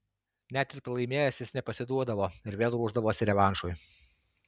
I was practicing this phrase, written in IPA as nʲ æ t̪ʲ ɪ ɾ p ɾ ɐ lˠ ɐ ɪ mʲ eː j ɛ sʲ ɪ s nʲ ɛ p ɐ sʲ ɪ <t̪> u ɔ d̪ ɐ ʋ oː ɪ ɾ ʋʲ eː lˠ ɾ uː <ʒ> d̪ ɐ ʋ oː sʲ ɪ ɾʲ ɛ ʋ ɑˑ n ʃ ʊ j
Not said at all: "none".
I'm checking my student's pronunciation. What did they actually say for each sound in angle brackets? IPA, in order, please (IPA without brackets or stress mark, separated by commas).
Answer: d̪, ʒ